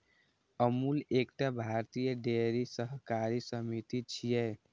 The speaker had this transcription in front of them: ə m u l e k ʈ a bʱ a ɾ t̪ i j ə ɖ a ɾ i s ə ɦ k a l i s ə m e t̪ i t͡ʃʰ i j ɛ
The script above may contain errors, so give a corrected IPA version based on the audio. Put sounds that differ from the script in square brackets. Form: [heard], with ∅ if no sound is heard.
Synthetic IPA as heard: ə m u l e k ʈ a bʱ a ɾ t̪ i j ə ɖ [e] ɾ i s ə ɦ k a [ɾ] i s ə m [i] t̪ i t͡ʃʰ i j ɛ